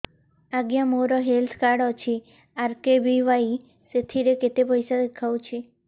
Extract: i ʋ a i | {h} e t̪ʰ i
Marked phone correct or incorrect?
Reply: incorrect: s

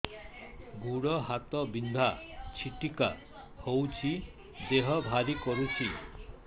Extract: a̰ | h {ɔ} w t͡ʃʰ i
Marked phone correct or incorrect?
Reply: incorrect: o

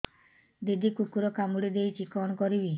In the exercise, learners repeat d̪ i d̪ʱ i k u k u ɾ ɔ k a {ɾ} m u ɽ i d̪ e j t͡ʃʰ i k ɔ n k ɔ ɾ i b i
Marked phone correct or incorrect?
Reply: incorrect: none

